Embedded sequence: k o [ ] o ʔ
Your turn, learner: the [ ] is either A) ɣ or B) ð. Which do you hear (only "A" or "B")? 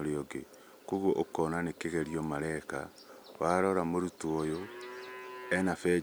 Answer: A